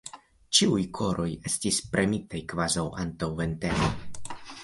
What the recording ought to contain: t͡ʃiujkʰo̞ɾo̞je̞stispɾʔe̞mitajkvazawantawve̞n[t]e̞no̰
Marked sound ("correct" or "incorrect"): correct